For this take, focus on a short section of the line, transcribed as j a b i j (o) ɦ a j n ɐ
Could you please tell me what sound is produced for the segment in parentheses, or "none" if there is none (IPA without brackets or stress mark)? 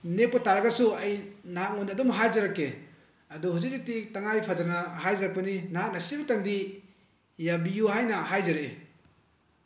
u